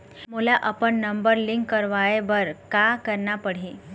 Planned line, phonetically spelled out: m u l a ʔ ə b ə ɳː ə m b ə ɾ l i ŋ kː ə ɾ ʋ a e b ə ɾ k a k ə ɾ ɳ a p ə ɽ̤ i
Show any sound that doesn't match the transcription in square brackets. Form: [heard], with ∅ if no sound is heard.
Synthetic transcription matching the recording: m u l a ʔ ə [p] ə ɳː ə m b ə ɾ l i ŋ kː ə ɾ ʋ a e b ə ɾ k a k ə ɾ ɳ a p ə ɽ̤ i